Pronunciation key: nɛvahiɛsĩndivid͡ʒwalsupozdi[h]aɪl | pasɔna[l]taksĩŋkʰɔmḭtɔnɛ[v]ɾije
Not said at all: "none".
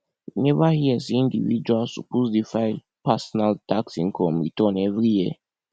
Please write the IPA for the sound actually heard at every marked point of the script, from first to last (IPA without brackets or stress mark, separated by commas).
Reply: f, l, v